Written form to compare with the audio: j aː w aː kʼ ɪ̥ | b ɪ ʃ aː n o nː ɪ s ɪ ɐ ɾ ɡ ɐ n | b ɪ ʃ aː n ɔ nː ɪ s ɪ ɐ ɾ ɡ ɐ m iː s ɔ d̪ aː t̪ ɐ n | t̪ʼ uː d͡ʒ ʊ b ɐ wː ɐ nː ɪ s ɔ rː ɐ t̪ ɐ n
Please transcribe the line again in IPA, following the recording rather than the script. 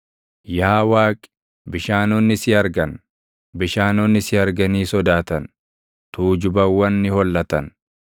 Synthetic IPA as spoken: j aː w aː kʼ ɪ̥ | b ɪ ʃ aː n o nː ɪ s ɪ ɐ ɾ ɡ ɐ n | b ɪ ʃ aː n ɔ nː ɪ s ɪ ɐ ɾ ɡ ɐ n iː s ɔ d̪ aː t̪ ɐ n | t̪ uː d͡ʒ ʊ b ɐ wː ɐ nː ɪ h ɔ lː ɐ t̪ ɐ n